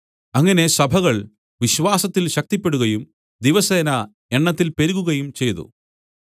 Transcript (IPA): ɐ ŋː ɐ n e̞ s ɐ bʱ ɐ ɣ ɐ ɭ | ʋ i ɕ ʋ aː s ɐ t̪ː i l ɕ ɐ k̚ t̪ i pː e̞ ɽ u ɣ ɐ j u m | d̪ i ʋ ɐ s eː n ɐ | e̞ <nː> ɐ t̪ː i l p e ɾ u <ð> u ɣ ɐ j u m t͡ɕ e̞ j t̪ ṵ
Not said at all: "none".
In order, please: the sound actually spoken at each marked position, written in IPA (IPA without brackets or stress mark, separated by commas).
ɳː, ɣ